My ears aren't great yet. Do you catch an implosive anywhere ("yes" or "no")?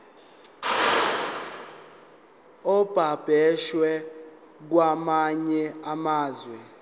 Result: no